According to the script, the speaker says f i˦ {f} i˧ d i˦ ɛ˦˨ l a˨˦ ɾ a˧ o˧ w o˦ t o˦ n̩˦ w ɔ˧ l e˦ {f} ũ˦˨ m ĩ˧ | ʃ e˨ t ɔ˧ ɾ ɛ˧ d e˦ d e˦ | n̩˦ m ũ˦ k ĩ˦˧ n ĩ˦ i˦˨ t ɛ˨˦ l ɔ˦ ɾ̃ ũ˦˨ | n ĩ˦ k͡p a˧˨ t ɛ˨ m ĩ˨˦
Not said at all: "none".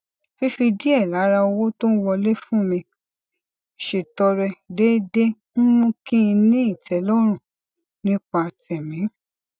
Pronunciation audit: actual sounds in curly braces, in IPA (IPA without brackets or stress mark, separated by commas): f, f